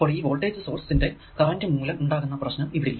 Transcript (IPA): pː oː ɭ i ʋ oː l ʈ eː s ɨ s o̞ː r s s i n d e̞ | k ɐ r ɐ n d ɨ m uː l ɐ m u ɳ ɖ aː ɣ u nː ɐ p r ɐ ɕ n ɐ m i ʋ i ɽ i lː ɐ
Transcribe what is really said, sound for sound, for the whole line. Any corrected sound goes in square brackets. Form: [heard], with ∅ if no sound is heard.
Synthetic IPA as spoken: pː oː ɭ [iː] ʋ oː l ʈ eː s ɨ s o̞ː r s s i n d e̞ | k ɐ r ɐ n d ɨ m uː l ɐ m u ɳ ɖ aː ɣ u nː ɐ p r ɐ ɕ n ɐ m i ʋ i ɽ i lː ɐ